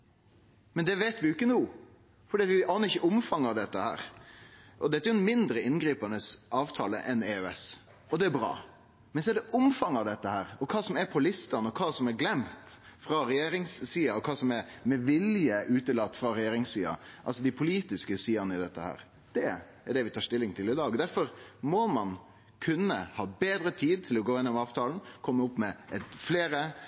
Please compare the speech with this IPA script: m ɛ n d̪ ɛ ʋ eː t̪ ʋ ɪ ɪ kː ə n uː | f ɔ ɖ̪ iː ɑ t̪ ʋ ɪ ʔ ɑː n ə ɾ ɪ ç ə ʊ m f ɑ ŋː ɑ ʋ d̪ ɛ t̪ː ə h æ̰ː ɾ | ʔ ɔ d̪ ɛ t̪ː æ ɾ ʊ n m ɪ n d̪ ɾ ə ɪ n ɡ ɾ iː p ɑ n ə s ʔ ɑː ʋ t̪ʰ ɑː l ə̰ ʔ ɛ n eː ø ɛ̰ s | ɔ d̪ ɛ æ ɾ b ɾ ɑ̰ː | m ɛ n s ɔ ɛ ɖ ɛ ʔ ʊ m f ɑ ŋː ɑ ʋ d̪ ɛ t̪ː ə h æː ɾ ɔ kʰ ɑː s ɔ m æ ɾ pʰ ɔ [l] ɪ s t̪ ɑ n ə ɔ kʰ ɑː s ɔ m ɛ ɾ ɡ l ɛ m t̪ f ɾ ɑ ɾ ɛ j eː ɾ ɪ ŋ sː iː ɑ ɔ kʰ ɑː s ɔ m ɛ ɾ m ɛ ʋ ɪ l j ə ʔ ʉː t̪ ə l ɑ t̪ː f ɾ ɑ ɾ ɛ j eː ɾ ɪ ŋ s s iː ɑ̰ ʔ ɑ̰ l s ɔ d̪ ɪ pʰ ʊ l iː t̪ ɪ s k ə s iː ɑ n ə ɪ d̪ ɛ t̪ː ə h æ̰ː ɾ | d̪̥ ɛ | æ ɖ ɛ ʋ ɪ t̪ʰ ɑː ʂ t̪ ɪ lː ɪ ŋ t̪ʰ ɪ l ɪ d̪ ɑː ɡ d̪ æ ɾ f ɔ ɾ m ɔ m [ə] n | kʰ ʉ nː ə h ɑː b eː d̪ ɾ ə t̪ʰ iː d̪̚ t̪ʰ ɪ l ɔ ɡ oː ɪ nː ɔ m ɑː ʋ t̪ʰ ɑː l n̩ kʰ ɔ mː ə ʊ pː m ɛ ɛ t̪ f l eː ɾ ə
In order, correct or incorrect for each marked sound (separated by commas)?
correct, incorrect